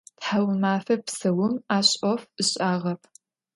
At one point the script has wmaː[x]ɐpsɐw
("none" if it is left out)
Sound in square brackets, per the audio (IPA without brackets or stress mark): f